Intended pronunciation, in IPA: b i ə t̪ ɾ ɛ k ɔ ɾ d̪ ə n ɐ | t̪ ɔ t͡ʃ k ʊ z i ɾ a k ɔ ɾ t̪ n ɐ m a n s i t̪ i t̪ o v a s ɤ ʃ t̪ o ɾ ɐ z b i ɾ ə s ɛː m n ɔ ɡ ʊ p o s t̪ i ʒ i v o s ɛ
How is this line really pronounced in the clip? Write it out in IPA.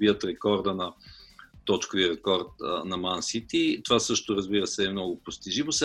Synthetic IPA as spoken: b i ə t̪ ɾ ɛ k ɔ ɾ d̪ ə n ɐ | t̪ ɔ t͡ʃ k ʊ v i ɾ ɛ k ɔ ɾ t̪ n ɐ m a n s i t̪ i t̪ o v a s ɤ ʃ t̪ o ɾ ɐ z b i ɾ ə s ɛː m n ɔ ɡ ʊ p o s t̪ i ʒ i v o s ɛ